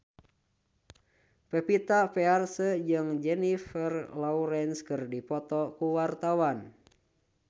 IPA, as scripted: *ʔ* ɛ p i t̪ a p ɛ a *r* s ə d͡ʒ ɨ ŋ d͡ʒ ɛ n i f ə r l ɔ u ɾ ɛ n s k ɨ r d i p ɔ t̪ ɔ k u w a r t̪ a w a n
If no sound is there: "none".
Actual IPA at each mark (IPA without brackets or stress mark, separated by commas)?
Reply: p, r